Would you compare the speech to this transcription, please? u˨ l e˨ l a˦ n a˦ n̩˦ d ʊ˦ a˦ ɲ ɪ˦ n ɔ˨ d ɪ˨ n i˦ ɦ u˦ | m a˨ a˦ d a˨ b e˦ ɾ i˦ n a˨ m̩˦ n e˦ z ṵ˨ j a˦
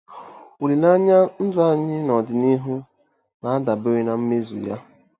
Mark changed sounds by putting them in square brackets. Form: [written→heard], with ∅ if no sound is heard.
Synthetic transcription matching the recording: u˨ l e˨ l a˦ [n→ɲ] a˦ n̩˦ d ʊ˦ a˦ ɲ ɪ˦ n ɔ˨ d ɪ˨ n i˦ ɦ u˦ | [m→n] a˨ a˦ d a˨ b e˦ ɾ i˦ n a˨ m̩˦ [n→m] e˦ z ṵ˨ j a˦